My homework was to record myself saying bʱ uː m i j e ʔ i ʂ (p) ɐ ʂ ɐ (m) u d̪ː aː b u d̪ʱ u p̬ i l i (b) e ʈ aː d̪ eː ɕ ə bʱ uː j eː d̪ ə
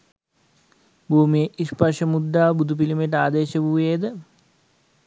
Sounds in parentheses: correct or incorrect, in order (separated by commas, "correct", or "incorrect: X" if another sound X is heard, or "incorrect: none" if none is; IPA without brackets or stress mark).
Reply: correct, correct, incorrect: m